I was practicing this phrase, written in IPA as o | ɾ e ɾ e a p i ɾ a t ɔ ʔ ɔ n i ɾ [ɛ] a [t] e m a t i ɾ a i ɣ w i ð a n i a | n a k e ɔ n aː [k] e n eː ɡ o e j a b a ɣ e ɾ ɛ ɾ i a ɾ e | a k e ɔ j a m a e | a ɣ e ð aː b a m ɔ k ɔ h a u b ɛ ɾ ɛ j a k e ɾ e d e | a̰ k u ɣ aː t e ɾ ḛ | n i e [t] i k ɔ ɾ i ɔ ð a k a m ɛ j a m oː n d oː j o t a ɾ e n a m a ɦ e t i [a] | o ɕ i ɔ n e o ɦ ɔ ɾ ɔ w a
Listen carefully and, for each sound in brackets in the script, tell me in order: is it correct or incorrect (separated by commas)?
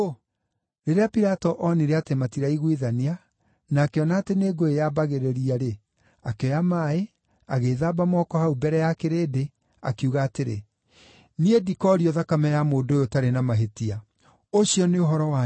incorrect, correct, incorrect, incorrect, correct